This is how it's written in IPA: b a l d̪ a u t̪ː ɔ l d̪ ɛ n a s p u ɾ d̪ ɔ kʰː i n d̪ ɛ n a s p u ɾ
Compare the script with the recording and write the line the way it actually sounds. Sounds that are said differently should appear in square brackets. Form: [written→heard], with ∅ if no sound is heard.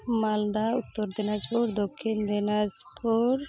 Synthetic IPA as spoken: [b→m] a l d̪ a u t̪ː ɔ [l→ɾ] d̪ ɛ n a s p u ɾ d̪ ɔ kʰː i n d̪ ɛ n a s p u ɾ